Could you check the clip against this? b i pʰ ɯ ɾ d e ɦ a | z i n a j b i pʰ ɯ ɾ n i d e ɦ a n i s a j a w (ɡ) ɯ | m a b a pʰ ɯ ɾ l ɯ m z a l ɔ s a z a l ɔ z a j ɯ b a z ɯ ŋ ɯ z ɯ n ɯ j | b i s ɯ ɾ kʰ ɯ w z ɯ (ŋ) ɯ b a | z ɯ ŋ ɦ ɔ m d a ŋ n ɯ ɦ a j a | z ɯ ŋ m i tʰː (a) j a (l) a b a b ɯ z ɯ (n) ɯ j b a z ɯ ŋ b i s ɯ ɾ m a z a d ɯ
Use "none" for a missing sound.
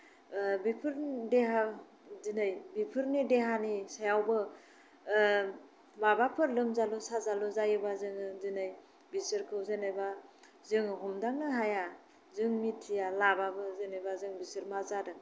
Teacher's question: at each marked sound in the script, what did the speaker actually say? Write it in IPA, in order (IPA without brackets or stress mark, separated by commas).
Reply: b, n, i, l, n